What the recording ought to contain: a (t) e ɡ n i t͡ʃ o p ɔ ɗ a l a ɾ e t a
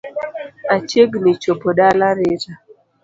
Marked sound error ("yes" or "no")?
yes